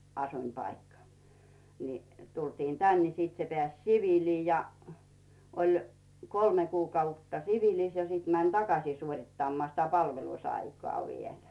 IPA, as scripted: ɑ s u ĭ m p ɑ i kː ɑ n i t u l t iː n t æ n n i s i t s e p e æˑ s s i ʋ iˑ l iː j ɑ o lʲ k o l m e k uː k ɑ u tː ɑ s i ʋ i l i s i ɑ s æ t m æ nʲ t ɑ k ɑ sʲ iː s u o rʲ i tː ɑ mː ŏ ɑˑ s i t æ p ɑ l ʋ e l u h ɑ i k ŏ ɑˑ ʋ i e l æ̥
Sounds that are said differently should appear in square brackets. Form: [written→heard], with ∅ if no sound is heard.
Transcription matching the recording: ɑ s u ĭ m p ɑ i kː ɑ n i t u l t iː n t æ n n i s i t s e p e æˑ s s i ʋ iˑ l iː j ɑ o lʲ k o l m e k uː k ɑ u tː ɑ s i ʋ i l i s [i→j] ɑ s [æ→i] t m æ nʲ t ɑ k ɑ sʲ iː s u o rʲ i tː ɑ mː ŏ ɑˑ s i t æ p ɑ l ʋ e l u [h→s] ɑ i k ŏ ɑˑ ʋ i e l æ̥